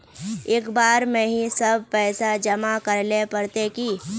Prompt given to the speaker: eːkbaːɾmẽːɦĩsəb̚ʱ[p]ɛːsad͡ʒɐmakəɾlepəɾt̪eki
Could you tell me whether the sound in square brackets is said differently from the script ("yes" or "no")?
no